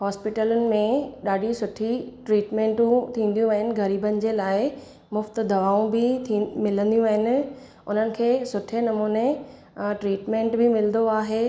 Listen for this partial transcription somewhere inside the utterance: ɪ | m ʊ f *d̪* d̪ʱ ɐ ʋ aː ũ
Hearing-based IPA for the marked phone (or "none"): t̪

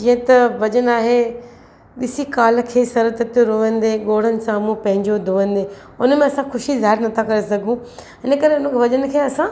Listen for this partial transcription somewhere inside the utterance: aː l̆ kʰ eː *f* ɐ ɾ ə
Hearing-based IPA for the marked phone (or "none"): s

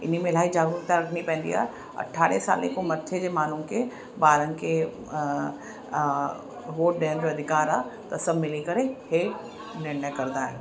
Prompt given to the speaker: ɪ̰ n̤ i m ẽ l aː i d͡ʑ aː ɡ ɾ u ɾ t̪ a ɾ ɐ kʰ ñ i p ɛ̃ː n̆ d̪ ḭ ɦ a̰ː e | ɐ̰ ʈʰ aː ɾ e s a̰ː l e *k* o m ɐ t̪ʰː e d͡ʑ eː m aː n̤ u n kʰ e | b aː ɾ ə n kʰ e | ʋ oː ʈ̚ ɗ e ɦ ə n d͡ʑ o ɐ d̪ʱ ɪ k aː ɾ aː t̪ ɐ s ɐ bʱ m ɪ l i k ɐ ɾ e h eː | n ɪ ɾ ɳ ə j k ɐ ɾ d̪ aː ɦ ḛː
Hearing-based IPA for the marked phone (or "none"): k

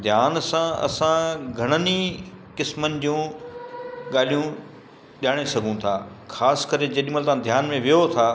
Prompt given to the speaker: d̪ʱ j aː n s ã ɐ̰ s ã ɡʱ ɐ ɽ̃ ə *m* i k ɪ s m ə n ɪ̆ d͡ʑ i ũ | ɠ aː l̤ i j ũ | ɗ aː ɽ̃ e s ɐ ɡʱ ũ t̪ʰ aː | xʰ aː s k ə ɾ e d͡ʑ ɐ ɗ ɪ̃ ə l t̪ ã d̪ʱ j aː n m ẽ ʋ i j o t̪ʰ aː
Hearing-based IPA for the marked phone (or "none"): n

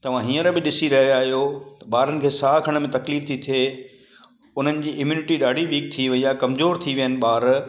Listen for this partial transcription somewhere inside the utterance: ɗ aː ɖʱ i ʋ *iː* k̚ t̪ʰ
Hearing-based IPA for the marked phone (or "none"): iː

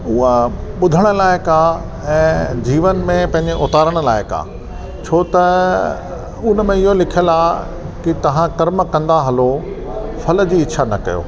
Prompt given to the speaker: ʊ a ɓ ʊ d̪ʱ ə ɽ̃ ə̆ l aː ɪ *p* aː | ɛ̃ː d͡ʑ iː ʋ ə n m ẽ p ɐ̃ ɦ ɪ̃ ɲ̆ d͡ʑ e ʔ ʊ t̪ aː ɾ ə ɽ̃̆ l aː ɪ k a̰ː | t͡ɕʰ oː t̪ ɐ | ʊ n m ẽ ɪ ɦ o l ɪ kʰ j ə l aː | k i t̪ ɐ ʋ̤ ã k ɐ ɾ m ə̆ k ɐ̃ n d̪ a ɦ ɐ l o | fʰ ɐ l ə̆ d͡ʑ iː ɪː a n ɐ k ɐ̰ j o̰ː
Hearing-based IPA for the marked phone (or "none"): k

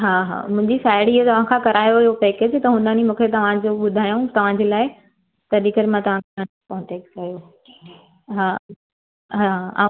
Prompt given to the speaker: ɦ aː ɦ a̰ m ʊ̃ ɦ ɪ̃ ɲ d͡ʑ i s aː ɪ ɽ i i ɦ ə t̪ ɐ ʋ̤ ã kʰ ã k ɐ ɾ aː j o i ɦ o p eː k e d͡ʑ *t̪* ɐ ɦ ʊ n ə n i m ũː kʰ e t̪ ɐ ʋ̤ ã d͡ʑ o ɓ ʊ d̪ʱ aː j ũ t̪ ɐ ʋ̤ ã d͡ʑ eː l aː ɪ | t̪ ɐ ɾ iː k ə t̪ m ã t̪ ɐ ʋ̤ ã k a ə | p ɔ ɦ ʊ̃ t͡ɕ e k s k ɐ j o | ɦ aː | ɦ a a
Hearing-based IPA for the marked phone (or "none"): t̪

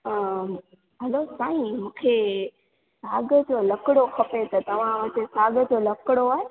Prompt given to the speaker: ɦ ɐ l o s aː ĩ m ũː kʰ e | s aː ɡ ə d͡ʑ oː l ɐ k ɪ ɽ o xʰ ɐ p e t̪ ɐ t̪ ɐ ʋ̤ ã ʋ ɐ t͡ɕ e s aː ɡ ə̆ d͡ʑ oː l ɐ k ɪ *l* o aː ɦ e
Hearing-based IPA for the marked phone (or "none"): ɽ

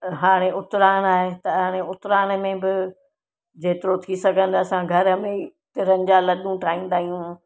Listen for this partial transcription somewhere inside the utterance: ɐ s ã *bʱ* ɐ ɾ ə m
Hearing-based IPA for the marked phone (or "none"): ɡʱ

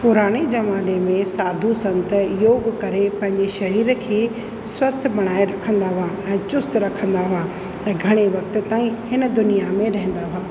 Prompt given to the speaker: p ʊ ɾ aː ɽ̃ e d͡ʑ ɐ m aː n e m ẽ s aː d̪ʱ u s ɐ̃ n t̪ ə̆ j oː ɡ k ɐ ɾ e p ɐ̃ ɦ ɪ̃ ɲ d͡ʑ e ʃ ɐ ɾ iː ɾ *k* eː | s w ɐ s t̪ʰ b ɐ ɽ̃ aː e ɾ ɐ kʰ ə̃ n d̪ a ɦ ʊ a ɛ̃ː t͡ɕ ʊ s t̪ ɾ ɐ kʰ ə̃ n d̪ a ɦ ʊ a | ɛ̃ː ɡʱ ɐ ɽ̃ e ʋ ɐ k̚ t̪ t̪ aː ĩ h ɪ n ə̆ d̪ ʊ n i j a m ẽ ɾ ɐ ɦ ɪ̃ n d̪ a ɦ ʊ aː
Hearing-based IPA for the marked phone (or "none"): kʰ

